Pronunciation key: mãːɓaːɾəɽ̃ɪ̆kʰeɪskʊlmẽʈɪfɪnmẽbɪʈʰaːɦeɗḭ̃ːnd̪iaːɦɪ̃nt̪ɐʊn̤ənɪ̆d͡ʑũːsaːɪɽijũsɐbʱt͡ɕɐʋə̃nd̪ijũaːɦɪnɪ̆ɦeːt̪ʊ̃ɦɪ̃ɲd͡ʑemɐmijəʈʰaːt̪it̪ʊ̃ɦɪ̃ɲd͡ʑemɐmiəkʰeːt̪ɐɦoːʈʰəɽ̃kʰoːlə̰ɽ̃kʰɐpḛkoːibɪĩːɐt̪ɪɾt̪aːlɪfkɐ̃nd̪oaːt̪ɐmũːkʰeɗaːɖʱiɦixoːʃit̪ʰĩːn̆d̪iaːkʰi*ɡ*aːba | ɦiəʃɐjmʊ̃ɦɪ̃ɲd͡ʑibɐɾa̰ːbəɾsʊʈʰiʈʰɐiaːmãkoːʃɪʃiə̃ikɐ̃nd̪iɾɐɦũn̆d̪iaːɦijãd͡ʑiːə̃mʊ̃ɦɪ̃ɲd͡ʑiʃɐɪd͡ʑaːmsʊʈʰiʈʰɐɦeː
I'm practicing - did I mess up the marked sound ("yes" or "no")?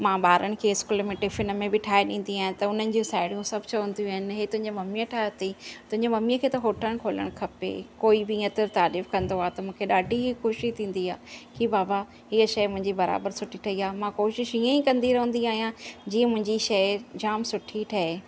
yes